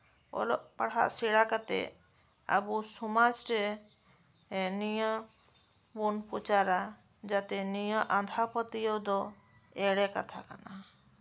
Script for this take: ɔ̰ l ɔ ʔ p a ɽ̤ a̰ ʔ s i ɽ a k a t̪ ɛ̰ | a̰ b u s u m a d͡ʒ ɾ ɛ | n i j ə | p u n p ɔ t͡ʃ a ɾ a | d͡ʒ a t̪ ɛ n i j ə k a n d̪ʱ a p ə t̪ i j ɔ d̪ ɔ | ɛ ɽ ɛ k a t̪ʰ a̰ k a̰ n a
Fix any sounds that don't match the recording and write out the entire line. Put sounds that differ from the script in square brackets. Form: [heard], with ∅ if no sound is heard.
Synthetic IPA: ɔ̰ l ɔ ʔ p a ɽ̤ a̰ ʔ s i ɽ a k a t̪ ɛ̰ | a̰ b u s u m a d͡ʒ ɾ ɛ | n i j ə | [b] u n p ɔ t͡ʃ a ɾ a | d͡ʒ a t̪ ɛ n i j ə [ʔ] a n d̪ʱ a p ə t̪ i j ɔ d̪ ɔ | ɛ ɽ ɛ k a t̪ʰ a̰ k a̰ n a